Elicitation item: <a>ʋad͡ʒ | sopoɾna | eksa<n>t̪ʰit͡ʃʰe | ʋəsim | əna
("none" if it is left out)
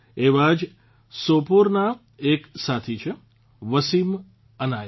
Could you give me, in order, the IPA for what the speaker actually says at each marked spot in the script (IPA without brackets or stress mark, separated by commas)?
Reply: e, none